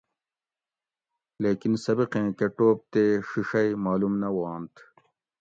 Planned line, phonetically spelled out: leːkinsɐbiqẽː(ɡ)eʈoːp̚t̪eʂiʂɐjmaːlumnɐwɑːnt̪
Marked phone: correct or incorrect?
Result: incorrect